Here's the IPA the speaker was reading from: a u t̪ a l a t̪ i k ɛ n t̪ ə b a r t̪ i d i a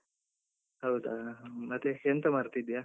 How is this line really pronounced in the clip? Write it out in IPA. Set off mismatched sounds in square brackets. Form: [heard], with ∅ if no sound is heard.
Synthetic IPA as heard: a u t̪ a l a t̪ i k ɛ n t̪ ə [m] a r t̪ i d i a